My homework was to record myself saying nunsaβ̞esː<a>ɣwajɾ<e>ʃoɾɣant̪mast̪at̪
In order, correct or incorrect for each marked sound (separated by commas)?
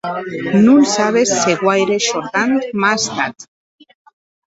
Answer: incorrect, correct